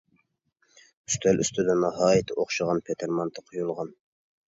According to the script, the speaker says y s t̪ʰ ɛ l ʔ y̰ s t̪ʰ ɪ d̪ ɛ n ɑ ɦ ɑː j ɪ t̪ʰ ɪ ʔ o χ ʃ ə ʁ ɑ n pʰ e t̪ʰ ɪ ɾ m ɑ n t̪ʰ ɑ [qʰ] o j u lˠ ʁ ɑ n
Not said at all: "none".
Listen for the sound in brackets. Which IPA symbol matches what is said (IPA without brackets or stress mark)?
qʰ